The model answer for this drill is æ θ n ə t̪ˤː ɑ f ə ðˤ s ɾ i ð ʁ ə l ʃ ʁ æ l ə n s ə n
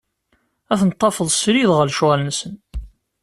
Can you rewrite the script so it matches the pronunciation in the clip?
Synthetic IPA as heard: æ θ n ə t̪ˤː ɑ f ə ðˤ s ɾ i ð ʁ ə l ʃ ʁ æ l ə n s ə n